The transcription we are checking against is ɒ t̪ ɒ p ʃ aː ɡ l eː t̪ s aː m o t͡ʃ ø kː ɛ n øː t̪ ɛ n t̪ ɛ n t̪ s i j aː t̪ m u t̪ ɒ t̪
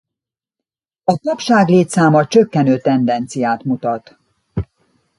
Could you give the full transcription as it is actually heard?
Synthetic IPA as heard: ɒ t̪ ɒ p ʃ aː ɡ l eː t̪ s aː m ɒ t͡ʃ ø kː ɛ n øː t̪ ɛ n d̪ ɛ n t̪ s i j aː t̪ m u t̪ ɒ t̪

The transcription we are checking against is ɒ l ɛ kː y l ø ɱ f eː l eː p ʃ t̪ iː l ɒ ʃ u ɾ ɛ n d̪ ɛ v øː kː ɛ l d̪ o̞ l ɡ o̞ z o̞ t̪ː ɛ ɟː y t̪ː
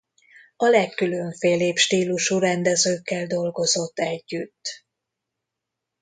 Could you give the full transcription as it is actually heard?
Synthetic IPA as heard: ɒ l ɛ kː y l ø ɱ f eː l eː p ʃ t̪ iː l u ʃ u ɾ ɛ n d̪ ɛ z øː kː ɛ l d̪ o̞ l ɡ o̞ z o̞ t̪ː ɛ ɟː y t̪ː

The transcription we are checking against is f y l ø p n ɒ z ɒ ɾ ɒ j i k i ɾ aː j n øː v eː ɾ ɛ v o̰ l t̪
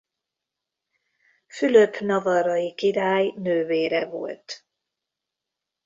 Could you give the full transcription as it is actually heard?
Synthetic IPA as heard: f y l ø p n ɒ v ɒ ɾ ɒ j i k i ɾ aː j n øː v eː ɾ ɛ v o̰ l t̪

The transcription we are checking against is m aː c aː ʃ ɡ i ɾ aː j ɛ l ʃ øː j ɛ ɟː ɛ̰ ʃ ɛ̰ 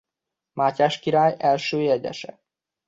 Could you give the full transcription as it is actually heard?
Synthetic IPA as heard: m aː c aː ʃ k i ɾ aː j ɛ l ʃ øː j ɛ ɟ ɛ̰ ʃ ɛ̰

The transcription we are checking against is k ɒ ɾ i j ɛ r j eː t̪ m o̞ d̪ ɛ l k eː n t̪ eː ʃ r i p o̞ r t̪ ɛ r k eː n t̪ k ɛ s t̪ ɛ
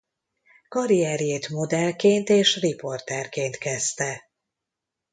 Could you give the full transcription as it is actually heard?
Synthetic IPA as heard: k ɒ ɾ i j ɛ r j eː t̪ m o̞ d̪ ɛ l k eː n t̪ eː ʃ r i p o̞ r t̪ ɛ r k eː n t̪ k ɛ s t̪ ɛ

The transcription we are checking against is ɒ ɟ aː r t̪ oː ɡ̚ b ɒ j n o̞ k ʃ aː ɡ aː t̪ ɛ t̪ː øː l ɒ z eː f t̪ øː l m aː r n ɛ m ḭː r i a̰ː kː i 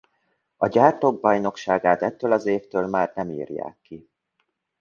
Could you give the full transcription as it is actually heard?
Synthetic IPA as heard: ɒ ɟ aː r t̪ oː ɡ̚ b ɒ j n o̞ k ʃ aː ɡ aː t̪ ɛ t̪ː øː l ɒ z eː f t̪ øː l m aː r n ɛ m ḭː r j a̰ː kː i

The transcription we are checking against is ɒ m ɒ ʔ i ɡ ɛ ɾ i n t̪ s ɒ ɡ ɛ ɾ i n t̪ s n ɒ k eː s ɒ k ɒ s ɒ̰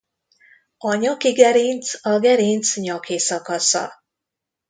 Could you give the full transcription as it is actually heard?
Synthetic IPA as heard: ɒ ɲ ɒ k i ɡ ɛ ɾ i n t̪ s ɒ ɡ ɛ ɾ i n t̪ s ɲ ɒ k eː s ɒ k ɒ s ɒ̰

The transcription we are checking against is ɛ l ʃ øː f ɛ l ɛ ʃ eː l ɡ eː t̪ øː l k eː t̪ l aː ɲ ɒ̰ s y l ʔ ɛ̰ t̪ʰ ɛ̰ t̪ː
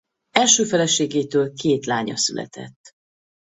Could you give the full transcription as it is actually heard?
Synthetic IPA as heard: ɛ l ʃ øː f ɛ l ɛ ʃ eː ɡ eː t̪ øː l k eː t̪ l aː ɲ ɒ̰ s y l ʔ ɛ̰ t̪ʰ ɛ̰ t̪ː

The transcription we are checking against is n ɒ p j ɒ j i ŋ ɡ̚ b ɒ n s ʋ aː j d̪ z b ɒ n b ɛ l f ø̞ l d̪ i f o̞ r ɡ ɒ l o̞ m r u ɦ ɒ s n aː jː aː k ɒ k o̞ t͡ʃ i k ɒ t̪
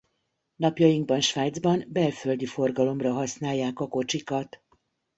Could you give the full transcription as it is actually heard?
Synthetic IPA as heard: n ɒ p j ɒ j i ŋ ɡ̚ b ɒ n ʃ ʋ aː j d̪ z b ɒ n b ɛ l f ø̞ l d̪ i f o̞ r ɡ ɒ l o̞ m r ɒ ɦ ɒ s n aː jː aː k ɒ k o̞ t͡ʃ i k ɒ t̪

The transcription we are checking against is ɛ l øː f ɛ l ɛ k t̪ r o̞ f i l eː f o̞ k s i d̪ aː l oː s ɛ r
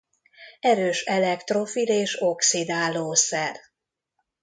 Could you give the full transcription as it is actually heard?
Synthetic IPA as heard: ɛ ɾ øː ʃ ɛ l ɛ k t̪ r o̞ f i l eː ʃ o̞ k s i d̪ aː l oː s ɛ r

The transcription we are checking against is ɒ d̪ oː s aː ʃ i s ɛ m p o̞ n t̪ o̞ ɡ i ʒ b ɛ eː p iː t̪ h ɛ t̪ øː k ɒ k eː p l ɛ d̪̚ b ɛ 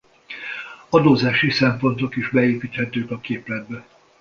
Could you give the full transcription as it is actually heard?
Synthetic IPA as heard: ɒ d̪ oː z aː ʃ i s ɛ m p o̞ n t̪ o̞ k i ʒ b ɛ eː p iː t̪ h ɛ t̪ øː k ɒ k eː p l ɛ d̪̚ b ɛ

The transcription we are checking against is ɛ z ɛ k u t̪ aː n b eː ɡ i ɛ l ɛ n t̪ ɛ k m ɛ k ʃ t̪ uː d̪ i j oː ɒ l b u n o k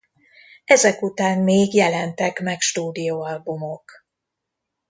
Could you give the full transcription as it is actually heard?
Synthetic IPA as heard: ɛ z ɛ k u t̪ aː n m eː ɡ j ɛ l ɛ n t̪ ɛ k m ɛ k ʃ t̪ uː d̪ i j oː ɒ l b u m o k

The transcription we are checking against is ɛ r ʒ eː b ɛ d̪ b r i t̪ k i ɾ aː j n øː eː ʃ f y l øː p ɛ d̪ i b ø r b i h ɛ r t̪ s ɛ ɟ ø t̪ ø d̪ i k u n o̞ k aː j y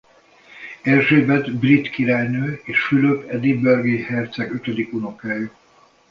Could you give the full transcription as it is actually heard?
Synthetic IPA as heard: ɛ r ʒ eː b ɛ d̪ b r i t̪ k i ɾ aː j n øː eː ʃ f y l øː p ɛ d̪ i b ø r ɡ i h ɛ r t̪ s ɛ ɡ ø t̪ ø d̪ i k u n o̞ k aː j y

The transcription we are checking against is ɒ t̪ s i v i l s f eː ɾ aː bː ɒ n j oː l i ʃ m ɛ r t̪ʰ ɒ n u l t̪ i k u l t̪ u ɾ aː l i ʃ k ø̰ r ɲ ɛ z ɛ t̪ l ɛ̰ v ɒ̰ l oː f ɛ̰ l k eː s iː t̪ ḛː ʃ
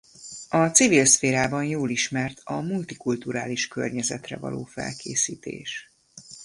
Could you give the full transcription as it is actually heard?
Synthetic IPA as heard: ɒ t̪ s i v i l s f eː ɾ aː b ɒ n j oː l i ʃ m ɛ r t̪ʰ ɒ m u l t̪ i k u l t̪ u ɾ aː l i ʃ k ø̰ r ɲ ɛ z ɛ t̪ r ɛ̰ v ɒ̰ l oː f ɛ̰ l k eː s iː t̪ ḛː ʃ

